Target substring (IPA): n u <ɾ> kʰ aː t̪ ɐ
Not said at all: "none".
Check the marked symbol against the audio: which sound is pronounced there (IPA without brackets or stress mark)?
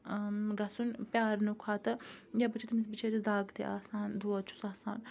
none